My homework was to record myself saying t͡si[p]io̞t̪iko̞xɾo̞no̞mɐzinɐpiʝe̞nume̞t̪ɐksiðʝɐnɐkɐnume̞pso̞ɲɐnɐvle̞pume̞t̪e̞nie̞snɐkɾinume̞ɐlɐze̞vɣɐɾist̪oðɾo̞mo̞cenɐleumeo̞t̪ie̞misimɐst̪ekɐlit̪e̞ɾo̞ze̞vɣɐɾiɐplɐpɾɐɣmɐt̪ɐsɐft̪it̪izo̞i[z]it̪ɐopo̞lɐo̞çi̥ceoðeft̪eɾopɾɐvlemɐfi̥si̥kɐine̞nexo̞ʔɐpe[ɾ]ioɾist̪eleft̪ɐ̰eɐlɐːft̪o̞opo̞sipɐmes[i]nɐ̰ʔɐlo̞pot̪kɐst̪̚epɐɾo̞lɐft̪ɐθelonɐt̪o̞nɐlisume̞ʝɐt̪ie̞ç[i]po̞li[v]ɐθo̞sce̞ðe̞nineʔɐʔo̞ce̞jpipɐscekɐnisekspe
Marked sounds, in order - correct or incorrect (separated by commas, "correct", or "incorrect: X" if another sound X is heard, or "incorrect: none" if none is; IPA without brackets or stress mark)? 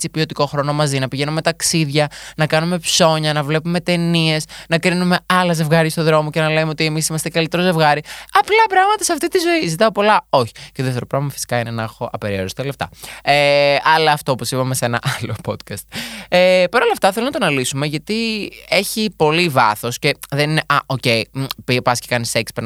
correct, correct, correct, incorrect: e, correct, correct